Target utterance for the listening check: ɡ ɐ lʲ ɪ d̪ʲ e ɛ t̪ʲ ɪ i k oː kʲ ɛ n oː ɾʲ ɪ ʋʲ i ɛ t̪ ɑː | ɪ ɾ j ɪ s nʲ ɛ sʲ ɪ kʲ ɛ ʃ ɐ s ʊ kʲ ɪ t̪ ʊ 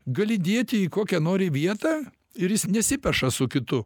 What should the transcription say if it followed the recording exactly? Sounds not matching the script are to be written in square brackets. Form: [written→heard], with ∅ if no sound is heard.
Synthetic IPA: ɡ ɐ lʲ ɪ d̪ʲ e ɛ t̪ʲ ɪ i k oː kʲ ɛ n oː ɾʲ ɪ ʋʲ i ɛ t̪ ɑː | ɪ ɾ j ɪ s nʲ ɛ sʲ ɪ [kʲ→pʲ] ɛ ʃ ɐ s ʊ kʲ ɪ t̪ ʊ